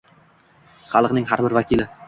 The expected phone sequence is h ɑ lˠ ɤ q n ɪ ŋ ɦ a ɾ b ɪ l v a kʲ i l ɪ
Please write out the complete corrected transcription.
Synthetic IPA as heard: χ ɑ lˠ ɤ q n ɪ ŋ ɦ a ɾ b ɪ ɾ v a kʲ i l ɪ